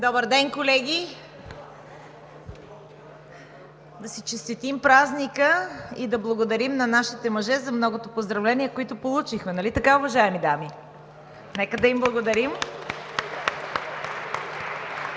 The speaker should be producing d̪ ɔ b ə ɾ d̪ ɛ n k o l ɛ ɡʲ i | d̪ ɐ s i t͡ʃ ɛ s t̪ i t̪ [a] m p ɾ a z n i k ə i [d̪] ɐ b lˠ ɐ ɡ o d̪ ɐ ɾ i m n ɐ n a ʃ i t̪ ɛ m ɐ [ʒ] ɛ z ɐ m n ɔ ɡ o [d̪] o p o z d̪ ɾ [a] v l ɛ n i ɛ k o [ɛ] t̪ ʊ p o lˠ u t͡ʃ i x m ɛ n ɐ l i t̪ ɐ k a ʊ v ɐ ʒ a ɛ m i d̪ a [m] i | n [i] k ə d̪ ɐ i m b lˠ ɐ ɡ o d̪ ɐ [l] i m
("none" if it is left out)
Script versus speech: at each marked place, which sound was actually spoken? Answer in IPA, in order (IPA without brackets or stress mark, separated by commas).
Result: i, d̪, ʒ, t̪, ɐ, i, m, ɛ, ɾ